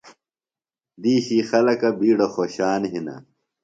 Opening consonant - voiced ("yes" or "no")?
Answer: yes